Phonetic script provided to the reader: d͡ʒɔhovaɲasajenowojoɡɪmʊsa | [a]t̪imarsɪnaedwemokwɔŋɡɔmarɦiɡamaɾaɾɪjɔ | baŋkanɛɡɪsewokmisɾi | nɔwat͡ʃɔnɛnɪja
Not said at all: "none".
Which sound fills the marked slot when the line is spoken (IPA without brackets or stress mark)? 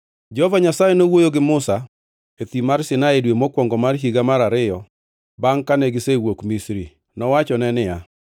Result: e